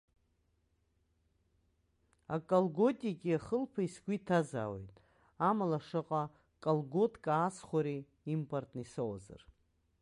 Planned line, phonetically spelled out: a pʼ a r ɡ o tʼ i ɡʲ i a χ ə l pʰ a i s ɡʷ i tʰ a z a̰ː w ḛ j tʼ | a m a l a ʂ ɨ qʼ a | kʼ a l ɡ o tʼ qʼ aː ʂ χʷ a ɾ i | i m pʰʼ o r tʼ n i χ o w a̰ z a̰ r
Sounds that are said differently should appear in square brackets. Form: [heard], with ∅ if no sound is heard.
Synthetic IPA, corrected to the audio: a [kʼ] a [l] ɡ o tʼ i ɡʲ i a χ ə l pʰ a i s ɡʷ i tʰ a z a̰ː w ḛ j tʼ | a m a l a ʂ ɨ qʼ a | kʼ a l ɡ o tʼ [kʼ] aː [s] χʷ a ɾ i | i m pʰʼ o r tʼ n i [s] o w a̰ z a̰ r

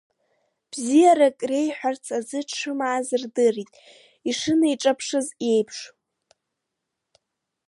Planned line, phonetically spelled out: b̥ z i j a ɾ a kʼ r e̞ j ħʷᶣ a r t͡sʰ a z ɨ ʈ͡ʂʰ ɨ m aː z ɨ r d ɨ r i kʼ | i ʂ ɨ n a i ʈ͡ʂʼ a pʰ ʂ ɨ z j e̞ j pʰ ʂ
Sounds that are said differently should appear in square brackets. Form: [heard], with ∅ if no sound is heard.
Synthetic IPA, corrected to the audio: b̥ z i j a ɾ a kʼ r e̞ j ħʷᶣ a r t͡sʰ a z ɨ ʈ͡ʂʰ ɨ m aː z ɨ r d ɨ r i [tʼ] | i ʂ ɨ n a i ʈ͡ʂʼ a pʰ ʂ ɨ z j e̞ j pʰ ʂ

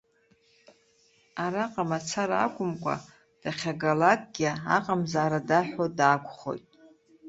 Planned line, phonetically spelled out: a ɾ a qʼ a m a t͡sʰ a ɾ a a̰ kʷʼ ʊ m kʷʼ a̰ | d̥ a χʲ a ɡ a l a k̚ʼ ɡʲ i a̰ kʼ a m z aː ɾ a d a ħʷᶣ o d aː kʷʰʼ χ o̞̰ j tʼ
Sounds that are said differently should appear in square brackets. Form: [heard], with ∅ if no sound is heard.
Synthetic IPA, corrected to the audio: a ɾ a qʼ a m a t͡sʰ a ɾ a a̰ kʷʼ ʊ m kʷʼ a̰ | d̥ a χʲ a ɡ a l a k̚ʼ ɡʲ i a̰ [qʼ] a m z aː ɾ a d a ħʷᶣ o d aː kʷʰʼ χ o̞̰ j tʼ

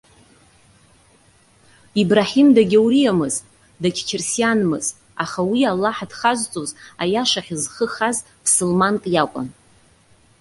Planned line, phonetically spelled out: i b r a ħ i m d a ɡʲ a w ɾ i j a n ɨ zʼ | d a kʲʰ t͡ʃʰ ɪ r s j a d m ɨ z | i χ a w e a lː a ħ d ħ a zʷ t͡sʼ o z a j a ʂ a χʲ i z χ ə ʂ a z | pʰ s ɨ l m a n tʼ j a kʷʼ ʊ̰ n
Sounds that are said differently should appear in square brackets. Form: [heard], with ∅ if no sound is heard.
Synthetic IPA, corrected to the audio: i b r a ħ i m d a ɡʲ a w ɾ i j a [m] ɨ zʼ | d a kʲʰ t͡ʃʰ ɪ r s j a [n] m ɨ z | [a] χ a w [i] a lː a ħ d [χ] a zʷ t͡sʼ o z a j a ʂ a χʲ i z χ ə [χ] a z | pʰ s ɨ l m a n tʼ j a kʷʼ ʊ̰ n

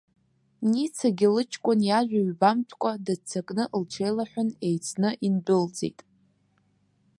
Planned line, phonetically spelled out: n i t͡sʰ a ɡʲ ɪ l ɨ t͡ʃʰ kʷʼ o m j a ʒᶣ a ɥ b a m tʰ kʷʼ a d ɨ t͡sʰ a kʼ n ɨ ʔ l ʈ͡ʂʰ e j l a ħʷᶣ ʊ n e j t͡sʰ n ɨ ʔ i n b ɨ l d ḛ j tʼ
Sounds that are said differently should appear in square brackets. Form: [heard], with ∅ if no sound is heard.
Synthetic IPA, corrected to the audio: n i t͡sʰ a ɡʲ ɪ l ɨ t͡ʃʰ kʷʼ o [n] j a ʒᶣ a ɥ b a m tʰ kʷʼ a d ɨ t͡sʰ a kʼ n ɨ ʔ l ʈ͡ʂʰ e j l a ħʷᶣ ʊ n e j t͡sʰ n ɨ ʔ i n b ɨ l [d͡z] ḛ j tʼ

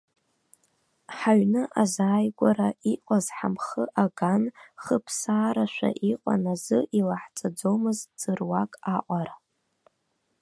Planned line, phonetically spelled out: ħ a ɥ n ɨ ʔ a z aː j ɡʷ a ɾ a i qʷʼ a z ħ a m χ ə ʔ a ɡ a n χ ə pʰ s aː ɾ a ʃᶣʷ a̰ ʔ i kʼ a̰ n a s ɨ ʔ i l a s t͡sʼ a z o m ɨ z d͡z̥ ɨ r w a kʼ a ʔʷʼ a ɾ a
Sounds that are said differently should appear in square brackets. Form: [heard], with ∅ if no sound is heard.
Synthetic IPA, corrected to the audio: ħ a ɥ n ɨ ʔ a z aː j ɡʷ a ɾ a i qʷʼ a z ħ a m χ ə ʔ a ɡ a n χ ə pʰ s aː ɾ a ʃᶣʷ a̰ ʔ i [qʼ] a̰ n a [z] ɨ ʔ i l a [ħ] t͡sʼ a [d͡z] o m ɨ z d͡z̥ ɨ r w a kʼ a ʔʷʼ a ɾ a

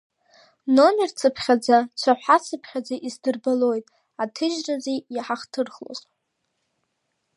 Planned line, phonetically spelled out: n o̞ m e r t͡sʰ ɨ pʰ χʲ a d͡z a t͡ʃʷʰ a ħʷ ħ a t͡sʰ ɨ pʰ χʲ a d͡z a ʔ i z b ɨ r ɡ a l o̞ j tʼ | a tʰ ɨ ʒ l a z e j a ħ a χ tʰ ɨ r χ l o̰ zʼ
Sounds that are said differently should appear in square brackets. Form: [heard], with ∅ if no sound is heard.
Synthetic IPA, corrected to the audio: n o̞ m e r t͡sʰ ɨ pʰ χʲ a d͡z a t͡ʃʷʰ a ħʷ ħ a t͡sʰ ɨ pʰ χʲ a d͡z a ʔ i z [d] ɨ r [b] a l o̞ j tʼ | a tʰ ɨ ʒ [r] a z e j a ħ a χ tʰ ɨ r χ l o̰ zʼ

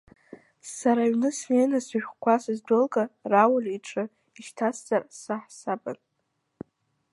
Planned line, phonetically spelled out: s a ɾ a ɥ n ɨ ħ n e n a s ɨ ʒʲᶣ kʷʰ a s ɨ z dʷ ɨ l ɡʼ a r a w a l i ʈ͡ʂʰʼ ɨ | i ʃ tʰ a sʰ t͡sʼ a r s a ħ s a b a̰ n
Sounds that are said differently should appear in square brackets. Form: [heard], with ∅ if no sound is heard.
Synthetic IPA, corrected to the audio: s a ɾ a ɥ n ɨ [s] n e n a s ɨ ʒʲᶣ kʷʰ a s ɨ z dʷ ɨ l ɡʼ a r a w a l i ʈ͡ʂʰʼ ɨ | i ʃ tʰ a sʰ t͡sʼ a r s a ħ s a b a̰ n

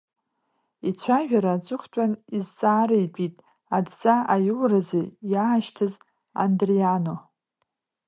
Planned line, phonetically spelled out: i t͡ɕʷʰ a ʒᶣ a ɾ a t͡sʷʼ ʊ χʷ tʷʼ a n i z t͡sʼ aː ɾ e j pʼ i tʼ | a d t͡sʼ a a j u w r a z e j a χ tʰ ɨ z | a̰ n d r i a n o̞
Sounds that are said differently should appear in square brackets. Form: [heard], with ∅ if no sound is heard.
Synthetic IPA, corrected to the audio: i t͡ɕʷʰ a ʒᶣ a ɾ a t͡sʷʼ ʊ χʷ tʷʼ a n i z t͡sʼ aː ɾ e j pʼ i tʼ | a d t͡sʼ a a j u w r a z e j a [ʃ] tʰ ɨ z | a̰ n d r i a n o̞

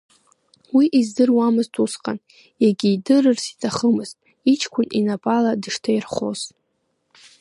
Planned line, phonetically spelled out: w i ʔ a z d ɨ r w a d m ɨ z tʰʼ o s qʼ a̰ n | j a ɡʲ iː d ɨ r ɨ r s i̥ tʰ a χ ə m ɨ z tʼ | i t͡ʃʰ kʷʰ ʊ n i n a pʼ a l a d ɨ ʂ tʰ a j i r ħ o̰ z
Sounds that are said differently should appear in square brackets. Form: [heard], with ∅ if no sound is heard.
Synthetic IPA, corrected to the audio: w i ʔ [i] z d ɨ r w a [∅] m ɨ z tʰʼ [u] s qʼ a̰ n | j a ɡʲ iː d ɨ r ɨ r s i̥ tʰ a χ ə m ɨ z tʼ | i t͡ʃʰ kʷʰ ʊ n i n a pʼ a l a d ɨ ʂ tʰ a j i r [χ] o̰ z

